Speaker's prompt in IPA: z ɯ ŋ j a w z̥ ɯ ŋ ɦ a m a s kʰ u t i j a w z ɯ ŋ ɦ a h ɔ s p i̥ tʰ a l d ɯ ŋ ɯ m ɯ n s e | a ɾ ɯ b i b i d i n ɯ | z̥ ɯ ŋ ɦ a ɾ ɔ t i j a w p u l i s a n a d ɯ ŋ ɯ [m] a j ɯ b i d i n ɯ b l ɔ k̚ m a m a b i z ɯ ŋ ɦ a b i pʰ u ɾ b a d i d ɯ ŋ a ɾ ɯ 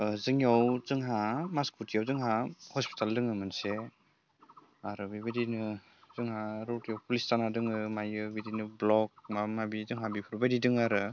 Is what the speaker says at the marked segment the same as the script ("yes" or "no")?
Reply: yes